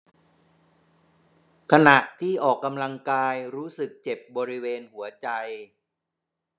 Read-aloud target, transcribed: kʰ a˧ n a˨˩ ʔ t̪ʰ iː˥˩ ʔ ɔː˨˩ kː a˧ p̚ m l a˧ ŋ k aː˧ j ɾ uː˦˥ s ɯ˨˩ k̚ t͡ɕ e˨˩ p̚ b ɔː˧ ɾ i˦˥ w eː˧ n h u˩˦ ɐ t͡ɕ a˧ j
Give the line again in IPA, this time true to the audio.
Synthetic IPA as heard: kʰ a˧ n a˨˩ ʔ t̪ʰ iː˥˩ ʔ ɔː˨˩ kː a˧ m l a˧ ŋ k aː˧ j ɾ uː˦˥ s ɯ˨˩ k̚ t͡ɕ e˨˩ p̚ b ɔː˧ ɾ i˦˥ w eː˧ n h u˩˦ ɐ t͡ɕ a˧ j

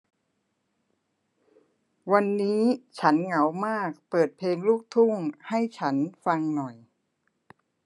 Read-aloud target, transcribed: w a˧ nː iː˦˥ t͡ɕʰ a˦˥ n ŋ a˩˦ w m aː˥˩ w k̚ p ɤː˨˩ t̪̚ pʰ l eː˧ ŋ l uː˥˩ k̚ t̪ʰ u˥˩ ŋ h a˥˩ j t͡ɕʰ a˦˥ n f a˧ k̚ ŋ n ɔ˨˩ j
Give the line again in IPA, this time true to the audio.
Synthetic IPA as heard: w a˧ nː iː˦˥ t͡ɕʰ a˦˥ n ŋ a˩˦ w m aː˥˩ k̚ p ɤː˨˩ t̪̚ pʰ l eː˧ ŋ l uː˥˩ k̚ t̪ʰ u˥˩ ŋ h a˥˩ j t͡ɕʰ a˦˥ n f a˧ ŋ n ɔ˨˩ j

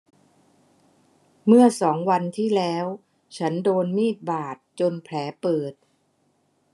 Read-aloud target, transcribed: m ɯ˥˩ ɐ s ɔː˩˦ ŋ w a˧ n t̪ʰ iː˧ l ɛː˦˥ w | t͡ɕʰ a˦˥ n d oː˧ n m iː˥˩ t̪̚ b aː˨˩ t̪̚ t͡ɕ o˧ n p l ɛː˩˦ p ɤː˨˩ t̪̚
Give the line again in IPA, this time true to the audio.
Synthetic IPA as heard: m ɯ˥˩ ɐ s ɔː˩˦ ŋ w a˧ n t̪ʰ iː˥˩ l ɛː˦˥ w | t͡ɕʰ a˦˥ n d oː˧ n m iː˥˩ t̪̚ b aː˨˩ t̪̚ t͡ɕ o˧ n pʰ l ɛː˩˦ p ɤː˨˩ t̪̚

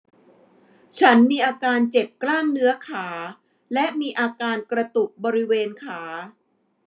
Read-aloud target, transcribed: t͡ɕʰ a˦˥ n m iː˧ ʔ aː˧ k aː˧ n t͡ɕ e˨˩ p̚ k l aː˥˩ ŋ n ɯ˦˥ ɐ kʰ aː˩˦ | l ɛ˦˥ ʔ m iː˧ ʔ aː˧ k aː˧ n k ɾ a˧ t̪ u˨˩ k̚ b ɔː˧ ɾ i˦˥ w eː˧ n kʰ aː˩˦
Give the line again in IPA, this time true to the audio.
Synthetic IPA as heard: t͡ɕʰ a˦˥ n m iː˧ ʔ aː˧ k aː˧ n t͡ɕ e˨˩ p̚ k l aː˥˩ ŋ n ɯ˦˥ ɐ kʰ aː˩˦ | l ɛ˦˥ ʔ m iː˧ ʔ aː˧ k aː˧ n k ɾ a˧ t̪ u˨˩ k̚ b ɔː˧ ɾ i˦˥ w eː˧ n kʰ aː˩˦

